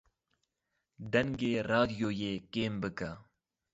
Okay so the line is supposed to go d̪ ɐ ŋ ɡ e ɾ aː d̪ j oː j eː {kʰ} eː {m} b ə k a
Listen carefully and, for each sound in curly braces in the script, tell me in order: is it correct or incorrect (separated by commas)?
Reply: incorrect, correct